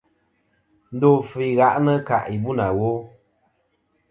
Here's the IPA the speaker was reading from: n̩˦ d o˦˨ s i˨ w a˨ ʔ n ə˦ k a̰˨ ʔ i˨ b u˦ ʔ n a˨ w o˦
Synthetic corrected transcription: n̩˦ d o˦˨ f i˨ ɣ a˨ ʔ n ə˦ k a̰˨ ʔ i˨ b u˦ n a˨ w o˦